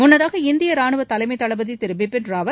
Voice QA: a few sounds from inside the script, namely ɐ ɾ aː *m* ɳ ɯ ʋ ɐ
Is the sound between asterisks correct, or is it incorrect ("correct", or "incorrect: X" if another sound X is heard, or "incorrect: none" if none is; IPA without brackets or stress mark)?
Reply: incorrect: none